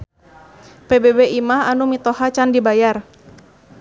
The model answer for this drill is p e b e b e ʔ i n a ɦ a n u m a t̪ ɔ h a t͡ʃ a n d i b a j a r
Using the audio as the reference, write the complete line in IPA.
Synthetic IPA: p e b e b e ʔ i m a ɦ a n u m i t̪ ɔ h a t͡ʃ a n d i b a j a r